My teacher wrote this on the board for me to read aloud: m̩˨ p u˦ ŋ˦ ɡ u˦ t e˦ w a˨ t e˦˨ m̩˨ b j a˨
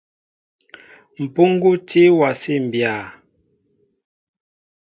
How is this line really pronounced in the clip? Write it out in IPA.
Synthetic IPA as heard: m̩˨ p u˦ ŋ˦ ɡ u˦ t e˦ w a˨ s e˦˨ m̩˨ b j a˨